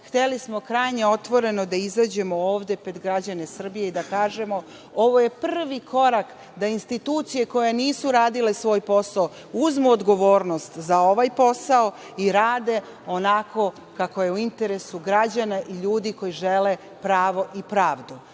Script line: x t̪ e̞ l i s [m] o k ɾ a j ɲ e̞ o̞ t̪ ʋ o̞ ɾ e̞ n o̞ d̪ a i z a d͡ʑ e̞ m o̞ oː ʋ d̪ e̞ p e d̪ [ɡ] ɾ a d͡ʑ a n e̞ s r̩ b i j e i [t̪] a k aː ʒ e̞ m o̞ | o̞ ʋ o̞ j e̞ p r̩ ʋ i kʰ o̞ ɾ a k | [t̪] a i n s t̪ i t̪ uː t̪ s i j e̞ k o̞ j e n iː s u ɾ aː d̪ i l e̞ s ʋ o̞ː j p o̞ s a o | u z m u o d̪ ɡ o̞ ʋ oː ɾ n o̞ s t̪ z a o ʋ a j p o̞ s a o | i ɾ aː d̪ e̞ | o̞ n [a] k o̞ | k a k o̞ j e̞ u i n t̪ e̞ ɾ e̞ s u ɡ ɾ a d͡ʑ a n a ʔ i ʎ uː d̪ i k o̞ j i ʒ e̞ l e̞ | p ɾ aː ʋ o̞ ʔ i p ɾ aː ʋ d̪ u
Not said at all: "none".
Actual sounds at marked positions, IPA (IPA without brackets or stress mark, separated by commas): m, ɡ, d̪, d̪, a